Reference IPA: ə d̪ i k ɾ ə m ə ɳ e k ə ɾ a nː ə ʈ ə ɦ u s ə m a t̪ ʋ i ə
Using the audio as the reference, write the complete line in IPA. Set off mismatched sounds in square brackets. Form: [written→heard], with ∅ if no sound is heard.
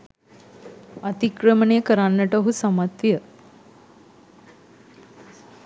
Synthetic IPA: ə [d̪→t̪] i k ɾ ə m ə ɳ e k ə ɾ a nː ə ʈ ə ɦ u s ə m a t̪ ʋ [i→j] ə